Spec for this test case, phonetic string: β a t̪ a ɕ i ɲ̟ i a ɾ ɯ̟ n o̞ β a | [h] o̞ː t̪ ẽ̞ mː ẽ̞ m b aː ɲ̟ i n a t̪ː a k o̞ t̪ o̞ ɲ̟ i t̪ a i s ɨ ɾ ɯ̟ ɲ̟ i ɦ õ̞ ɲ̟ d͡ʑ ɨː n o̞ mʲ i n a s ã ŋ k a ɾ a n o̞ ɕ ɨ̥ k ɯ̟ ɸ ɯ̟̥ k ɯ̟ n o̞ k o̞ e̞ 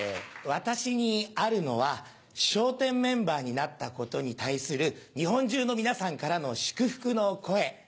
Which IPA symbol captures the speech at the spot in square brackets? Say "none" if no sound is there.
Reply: ɕ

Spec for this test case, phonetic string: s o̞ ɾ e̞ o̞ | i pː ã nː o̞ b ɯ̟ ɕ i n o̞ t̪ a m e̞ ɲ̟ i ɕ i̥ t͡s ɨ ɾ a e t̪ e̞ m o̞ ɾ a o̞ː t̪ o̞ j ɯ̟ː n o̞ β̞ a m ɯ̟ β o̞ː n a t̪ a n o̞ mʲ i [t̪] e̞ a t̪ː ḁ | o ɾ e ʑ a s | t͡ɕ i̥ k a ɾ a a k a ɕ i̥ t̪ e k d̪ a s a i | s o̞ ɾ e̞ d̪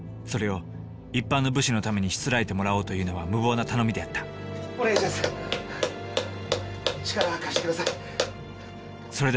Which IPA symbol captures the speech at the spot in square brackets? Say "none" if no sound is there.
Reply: d̪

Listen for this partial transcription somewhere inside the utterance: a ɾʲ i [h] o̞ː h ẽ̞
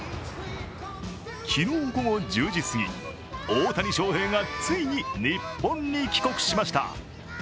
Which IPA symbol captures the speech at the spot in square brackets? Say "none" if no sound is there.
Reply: ɕ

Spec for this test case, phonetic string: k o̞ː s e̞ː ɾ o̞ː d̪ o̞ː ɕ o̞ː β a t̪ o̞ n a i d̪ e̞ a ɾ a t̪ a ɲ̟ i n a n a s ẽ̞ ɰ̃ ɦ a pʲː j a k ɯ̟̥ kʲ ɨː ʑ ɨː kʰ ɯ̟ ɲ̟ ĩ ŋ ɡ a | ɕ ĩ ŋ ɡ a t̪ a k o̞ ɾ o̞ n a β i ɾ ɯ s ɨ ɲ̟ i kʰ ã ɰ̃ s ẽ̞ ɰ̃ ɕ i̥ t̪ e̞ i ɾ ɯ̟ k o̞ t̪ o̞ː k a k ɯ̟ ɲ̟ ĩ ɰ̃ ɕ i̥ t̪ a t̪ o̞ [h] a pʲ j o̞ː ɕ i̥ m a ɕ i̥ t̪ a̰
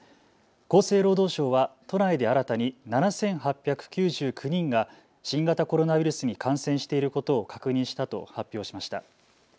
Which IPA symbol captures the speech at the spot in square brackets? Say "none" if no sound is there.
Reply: h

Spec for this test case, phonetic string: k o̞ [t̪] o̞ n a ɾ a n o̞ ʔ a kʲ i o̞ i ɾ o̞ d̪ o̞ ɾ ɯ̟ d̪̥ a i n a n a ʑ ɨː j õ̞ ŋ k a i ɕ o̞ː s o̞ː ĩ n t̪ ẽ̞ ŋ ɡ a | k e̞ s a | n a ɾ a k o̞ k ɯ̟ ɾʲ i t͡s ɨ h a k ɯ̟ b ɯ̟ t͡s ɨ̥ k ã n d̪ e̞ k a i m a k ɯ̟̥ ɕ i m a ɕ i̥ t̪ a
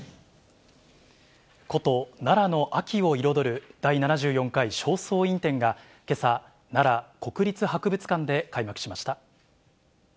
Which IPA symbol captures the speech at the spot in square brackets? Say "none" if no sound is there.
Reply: t̪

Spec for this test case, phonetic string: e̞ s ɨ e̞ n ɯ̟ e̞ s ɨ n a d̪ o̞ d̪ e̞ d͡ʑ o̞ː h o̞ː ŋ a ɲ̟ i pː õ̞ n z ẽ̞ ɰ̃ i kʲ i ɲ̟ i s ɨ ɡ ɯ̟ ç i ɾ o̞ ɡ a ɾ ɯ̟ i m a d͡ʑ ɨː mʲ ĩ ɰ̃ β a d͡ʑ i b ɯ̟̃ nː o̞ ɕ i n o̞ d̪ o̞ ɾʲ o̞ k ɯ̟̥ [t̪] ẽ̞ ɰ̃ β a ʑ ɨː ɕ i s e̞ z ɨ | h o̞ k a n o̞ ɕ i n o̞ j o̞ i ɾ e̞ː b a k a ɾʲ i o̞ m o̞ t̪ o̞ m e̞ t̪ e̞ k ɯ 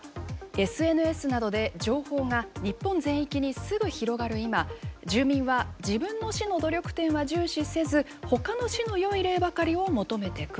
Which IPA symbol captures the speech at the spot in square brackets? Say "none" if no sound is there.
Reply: t̪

